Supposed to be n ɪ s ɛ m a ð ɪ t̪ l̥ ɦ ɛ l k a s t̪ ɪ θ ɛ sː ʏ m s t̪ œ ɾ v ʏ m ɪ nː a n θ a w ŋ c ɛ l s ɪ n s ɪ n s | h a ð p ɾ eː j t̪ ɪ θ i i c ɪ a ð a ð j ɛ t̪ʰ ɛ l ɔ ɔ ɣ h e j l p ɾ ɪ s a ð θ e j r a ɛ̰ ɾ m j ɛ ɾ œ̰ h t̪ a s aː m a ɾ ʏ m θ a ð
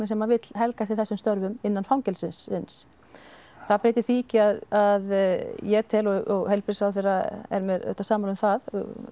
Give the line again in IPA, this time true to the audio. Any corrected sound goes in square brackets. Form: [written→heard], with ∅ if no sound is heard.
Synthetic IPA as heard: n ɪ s ɛ m a [ð→v] ɪ t̪ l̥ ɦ ɛ l k a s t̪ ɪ θ ɛ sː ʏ m s t̪ œ ɾ v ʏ m ɪ nː a n [θ→f] a w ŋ c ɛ l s ɪ n s ɪ n s | [h→θ] a ð p ɾ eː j t̪ ɪ θ i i c ɪ a ð a ð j ɛ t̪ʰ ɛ l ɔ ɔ ɣ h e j l p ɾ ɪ s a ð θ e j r a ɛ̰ ɾ m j ɛ ɾ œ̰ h t̪ a s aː m a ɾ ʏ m θ a ð